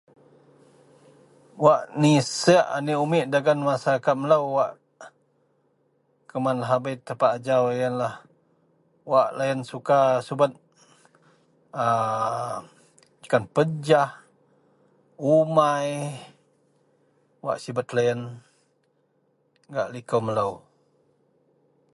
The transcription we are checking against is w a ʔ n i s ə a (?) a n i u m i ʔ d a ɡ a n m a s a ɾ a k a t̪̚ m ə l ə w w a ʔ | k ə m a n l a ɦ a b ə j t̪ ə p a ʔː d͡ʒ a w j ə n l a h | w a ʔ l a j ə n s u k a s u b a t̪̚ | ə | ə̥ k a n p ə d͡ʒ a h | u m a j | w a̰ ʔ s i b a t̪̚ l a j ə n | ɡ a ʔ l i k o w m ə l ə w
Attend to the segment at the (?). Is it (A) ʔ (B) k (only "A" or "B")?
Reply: A